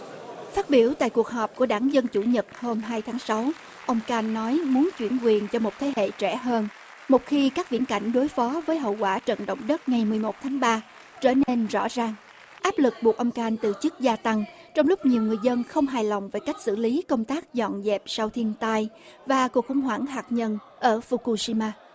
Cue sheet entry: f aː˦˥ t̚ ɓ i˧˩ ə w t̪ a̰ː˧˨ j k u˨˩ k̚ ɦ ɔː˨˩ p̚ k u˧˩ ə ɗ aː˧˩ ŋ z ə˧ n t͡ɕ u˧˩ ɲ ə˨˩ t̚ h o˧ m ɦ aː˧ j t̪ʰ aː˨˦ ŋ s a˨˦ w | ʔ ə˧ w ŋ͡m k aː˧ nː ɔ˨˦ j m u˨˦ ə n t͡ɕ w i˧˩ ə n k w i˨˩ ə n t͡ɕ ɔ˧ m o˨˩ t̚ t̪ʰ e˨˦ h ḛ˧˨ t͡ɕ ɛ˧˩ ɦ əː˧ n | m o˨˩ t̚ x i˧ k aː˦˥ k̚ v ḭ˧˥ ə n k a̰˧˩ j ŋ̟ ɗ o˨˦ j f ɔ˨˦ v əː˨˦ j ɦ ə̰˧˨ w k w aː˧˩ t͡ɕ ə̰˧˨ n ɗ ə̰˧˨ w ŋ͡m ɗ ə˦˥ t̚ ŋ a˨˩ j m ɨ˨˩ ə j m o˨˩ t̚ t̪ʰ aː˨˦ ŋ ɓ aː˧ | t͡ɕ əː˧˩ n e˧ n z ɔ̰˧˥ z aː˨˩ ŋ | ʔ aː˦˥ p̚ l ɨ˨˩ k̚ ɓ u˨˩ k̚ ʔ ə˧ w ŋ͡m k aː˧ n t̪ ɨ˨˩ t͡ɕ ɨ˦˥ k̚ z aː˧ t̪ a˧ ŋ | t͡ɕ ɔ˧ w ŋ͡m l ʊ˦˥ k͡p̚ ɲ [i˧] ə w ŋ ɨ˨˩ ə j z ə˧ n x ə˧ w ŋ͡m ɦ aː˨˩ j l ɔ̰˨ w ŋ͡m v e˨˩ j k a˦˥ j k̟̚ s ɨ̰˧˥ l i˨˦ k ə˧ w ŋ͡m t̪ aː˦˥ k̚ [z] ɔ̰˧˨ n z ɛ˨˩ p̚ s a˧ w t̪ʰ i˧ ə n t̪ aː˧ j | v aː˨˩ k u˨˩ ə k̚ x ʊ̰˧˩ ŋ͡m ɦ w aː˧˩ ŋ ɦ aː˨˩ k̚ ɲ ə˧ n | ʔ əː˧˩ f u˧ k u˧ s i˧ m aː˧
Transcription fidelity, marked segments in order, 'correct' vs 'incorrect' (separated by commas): incorrect, correct